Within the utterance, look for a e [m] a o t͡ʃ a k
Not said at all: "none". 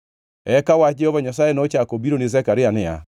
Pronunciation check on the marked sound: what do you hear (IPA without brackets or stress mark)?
n